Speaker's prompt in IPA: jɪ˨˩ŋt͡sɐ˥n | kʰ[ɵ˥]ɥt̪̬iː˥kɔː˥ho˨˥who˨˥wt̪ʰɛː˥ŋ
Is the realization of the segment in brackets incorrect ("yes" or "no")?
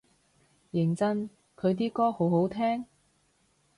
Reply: yes